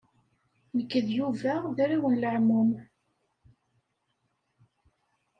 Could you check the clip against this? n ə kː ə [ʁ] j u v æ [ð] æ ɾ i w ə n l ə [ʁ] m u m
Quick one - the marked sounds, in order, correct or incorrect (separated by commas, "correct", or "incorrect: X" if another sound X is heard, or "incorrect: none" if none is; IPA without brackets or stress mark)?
incorrect: ð, correct, incorrect: ʕ